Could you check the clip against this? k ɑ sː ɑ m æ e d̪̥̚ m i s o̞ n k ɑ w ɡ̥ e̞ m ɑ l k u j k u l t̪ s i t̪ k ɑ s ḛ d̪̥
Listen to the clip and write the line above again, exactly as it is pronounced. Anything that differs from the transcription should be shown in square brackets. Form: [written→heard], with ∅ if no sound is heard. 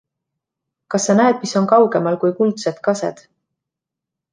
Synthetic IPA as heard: k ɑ sː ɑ [m→n] æ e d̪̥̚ m i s o̞ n k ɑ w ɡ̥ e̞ m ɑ l k u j k u l t̪ s [i→e] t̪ k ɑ s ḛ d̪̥

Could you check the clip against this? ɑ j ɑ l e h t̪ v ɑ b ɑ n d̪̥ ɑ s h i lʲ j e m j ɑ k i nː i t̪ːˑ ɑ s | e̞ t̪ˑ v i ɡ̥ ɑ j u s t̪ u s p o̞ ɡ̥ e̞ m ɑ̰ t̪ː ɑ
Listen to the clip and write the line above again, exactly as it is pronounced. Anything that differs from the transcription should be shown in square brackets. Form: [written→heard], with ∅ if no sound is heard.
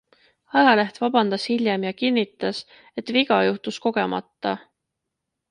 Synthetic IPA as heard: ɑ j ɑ l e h t̪ v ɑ b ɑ n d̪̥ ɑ s h i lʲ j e m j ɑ k i nː i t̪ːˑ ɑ s | e̞ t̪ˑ v i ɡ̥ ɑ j u [s→h] t̪ u s [p→k] o̞ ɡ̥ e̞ m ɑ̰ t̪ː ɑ

